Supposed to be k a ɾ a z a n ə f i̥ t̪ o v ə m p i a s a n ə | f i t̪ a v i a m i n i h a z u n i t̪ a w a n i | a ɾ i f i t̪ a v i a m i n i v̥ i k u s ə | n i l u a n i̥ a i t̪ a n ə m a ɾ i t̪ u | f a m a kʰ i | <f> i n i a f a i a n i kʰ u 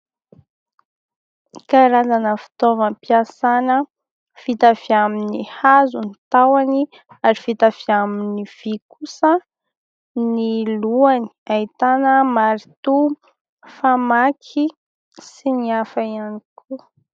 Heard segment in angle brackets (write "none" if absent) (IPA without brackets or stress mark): s